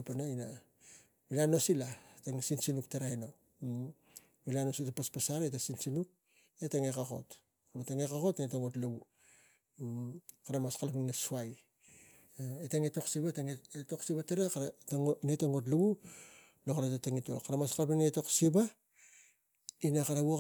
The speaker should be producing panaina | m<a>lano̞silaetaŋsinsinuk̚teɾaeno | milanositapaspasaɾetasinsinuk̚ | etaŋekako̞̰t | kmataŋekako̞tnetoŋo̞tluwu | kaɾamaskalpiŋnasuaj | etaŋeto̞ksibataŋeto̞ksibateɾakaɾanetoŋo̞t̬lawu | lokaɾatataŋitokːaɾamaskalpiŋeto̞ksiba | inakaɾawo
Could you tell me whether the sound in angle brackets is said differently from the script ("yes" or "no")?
yes